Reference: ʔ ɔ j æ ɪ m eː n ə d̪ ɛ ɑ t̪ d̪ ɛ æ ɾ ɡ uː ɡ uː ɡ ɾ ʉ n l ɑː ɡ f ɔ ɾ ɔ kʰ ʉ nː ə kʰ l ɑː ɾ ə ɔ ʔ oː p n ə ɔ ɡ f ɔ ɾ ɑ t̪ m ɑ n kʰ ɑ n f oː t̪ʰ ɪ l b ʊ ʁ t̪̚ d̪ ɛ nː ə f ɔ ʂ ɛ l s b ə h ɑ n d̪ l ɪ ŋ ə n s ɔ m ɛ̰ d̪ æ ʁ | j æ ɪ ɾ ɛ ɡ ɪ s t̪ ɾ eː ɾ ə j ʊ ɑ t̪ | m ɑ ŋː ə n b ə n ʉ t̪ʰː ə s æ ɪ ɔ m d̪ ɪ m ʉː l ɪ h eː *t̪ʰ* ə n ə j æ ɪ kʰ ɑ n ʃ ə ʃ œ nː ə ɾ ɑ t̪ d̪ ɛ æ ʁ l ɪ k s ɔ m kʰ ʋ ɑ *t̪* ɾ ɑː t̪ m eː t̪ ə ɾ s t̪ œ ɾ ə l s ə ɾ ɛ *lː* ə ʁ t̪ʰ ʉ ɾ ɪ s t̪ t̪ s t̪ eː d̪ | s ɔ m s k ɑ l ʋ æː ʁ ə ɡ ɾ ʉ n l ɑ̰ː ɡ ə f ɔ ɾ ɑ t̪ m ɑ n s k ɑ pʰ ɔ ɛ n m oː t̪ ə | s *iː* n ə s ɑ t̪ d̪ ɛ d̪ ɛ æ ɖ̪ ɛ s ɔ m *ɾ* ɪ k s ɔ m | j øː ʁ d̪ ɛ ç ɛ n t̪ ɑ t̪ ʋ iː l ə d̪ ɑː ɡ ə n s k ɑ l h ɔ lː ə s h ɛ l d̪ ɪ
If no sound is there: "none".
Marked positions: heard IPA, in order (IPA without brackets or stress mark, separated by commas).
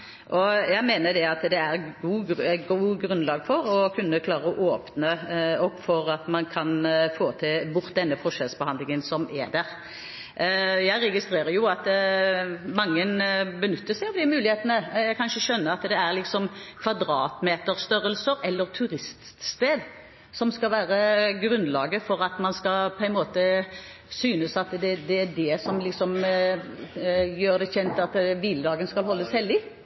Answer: t̪, d̪, lː, yː, l